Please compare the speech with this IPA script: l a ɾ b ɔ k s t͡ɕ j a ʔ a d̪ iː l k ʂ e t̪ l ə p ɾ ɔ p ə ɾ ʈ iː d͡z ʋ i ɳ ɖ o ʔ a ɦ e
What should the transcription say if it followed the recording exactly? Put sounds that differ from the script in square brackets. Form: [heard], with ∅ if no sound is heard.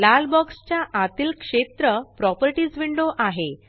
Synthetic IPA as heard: l a [l] b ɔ k s t͡ɕ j a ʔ a [t̪] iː l k ʂ e t̪ [ɾ] ə p ɾ ɔ p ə ɾ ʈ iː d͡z ʋ i ɳ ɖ o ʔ a ɦ e